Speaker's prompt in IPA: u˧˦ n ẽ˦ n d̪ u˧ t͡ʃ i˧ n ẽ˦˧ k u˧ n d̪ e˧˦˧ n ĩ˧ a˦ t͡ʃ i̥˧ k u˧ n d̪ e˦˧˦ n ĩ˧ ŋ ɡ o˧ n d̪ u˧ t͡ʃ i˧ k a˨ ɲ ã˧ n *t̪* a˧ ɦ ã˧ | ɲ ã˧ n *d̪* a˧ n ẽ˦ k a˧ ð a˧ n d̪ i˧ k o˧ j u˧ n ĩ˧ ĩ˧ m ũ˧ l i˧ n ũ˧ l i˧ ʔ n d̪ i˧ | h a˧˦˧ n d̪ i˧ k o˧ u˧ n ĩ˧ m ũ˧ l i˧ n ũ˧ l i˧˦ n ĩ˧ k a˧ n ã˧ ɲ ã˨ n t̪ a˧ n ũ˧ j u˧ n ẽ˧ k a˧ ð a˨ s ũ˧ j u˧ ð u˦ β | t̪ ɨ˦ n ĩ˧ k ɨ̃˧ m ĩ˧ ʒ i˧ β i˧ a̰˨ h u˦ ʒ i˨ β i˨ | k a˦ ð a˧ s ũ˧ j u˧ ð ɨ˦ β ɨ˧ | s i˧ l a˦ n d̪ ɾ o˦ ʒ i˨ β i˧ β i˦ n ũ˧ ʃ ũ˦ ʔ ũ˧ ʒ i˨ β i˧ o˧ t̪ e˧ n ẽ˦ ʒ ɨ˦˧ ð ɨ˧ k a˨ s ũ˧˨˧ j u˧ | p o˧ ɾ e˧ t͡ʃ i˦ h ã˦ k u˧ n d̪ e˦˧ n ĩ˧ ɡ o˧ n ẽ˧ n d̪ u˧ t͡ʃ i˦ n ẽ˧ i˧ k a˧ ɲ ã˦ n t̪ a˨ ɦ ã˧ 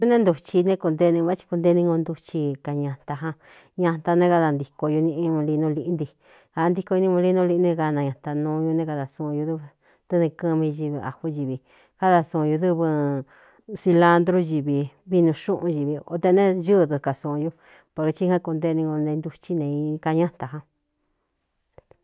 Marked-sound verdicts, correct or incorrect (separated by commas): correct, incorrect